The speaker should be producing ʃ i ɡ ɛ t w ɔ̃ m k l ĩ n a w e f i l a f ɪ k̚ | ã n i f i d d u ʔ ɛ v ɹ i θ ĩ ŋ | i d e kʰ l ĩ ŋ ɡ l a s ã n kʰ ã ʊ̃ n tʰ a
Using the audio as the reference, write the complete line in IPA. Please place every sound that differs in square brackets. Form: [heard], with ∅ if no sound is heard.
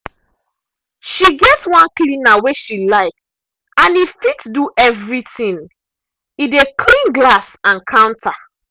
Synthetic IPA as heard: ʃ i ɡ ɛ t w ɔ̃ [n] k l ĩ n a w e [ʃ] i l a [∅] ɪ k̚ | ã n i f i [t] d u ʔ ɛ v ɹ i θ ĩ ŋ | i d e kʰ l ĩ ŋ ɡ l a s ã n kʰ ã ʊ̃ n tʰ a